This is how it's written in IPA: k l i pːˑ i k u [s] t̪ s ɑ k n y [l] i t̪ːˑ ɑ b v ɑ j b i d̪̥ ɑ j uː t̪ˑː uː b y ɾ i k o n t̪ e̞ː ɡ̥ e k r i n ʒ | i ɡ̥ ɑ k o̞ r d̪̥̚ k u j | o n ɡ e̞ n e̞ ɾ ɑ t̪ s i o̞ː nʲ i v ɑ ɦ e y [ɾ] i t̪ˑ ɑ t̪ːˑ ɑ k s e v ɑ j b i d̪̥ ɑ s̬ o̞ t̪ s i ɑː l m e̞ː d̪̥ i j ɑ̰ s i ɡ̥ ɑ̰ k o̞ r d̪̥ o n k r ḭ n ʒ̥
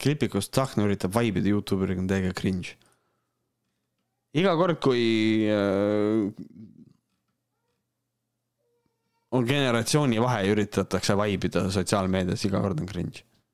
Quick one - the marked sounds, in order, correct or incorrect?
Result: correct, incorrect, correct

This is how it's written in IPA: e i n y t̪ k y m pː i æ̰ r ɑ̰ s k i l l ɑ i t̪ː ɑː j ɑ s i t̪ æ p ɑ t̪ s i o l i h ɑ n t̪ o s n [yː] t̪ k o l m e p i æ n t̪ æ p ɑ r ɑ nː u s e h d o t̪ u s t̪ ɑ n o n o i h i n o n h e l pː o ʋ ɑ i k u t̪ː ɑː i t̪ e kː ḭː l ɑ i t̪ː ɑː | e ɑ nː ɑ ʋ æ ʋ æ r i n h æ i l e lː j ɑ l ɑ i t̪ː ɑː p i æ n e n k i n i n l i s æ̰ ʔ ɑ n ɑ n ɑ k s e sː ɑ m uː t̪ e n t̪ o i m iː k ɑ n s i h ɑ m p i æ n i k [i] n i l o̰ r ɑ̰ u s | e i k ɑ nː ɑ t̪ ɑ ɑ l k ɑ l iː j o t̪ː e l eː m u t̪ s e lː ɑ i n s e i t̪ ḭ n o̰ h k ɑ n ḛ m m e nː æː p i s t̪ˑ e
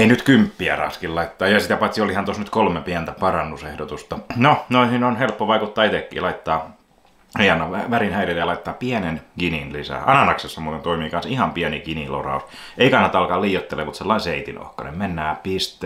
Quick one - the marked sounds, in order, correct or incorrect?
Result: incorrect, correct

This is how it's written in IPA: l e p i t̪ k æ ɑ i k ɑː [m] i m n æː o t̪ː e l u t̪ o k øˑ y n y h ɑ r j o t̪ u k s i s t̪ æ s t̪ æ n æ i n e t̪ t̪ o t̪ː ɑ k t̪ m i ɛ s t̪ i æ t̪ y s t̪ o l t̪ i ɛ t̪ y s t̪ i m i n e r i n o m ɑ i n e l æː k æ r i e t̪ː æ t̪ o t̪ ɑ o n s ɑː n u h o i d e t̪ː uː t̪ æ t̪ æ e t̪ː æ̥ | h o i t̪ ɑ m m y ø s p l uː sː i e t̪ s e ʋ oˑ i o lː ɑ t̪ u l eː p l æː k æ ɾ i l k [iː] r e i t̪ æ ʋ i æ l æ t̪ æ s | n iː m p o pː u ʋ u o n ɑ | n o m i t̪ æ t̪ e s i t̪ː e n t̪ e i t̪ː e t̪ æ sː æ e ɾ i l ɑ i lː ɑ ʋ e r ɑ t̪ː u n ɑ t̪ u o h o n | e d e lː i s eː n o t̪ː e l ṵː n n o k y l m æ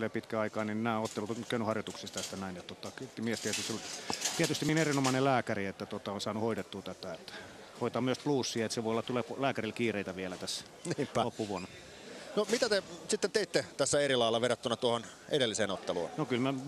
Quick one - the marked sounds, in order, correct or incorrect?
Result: incorrect, correct

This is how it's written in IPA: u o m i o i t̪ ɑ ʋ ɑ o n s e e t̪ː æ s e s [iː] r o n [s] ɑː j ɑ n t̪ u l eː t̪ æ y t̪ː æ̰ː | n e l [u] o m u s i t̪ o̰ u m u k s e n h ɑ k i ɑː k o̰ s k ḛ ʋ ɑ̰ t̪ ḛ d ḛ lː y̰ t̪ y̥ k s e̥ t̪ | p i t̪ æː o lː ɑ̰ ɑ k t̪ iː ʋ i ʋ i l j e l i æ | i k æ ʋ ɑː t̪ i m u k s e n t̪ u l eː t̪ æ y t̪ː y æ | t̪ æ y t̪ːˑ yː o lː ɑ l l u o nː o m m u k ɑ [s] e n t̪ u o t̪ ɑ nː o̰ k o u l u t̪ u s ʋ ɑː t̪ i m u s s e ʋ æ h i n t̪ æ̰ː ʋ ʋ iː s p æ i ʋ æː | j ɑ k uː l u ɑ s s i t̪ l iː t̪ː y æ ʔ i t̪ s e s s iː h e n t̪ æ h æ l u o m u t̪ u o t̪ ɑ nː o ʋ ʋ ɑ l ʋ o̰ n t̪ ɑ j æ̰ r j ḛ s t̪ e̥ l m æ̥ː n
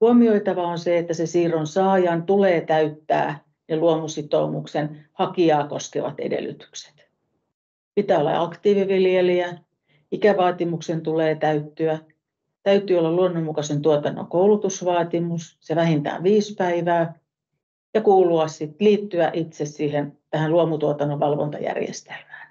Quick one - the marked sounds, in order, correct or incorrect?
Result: correct, correct, correct, correct

